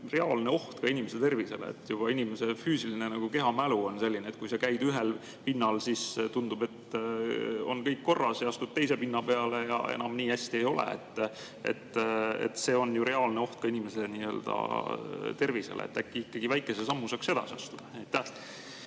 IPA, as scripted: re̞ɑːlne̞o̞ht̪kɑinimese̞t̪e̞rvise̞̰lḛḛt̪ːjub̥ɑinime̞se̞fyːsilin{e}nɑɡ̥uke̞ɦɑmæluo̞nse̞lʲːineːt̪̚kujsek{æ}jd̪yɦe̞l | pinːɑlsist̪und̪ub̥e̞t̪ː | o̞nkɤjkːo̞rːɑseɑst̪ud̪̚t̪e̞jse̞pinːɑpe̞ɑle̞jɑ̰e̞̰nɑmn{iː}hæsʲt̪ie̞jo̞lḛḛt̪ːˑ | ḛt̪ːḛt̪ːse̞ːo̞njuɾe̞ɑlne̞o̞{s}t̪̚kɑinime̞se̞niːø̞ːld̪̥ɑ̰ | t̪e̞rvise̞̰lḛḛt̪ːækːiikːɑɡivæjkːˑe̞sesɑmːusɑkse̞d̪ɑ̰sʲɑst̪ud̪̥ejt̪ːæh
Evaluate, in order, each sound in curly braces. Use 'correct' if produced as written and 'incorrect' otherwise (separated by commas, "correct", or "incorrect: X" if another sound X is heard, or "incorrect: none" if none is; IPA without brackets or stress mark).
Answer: correct, correct, correct, incorrect: h